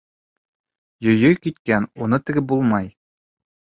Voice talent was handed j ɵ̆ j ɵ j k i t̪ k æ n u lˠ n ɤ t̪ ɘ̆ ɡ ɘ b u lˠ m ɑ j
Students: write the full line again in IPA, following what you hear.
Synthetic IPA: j ɵ̆ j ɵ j k i t̪ k æ n u n ɤ t̪ ɘ̆ ɡ ɘ b u lˠ m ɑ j